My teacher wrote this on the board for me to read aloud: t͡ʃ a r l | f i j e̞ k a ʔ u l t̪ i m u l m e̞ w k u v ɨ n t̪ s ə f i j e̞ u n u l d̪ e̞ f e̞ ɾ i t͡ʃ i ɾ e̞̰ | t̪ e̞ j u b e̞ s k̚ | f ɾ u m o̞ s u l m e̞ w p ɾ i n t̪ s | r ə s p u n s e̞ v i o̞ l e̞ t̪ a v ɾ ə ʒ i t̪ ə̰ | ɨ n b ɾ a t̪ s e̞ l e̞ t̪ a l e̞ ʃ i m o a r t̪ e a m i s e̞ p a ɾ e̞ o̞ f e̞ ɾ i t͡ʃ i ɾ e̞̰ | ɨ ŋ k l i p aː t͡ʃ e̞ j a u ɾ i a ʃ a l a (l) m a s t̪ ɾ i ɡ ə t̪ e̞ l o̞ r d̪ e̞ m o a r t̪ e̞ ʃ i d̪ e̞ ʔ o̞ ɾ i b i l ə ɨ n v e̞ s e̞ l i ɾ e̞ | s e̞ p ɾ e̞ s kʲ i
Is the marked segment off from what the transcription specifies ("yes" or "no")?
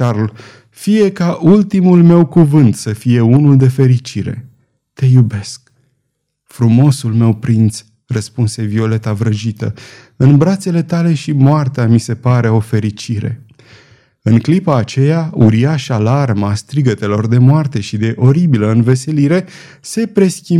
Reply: yes